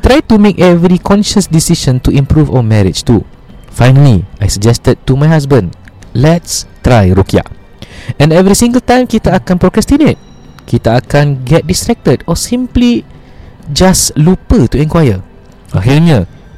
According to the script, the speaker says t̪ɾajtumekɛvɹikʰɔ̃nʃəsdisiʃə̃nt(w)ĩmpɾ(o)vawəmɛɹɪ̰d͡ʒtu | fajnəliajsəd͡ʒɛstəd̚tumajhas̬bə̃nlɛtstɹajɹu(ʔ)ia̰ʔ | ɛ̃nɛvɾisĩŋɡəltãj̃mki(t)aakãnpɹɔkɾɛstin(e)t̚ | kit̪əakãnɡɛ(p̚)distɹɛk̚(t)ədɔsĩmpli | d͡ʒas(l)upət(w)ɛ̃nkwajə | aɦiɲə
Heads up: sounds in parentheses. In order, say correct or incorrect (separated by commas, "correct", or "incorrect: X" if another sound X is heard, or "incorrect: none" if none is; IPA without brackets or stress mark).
incorrect: u, incorrect: u, incorrect: k, correct, correct, incorrect: t̚, correct, correct, incorrect: u